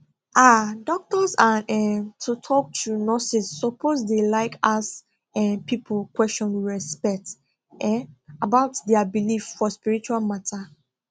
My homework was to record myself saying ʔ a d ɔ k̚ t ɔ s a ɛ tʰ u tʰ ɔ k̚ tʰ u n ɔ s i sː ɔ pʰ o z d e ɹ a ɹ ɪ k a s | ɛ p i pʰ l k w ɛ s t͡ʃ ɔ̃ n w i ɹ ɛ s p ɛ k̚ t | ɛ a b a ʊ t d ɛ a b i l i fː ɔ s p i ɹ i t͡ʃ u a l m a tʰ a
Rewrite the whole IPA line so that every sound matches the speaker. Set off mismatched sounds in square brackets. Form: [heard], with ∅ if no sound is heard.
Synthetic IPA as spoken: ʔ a d ɔ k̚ t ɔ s a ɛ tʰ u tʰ ɔ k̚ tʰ u n ɔ s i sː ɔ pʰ o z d e [l] a [∅] ɪ k a s | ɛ p i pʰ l k w ɛ s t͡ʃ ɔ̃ n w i ɹ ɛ s p ɛ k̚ t | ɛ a b a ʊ t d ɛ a b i l i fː ɔ s p i ɹ i t͡ʃ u a l m a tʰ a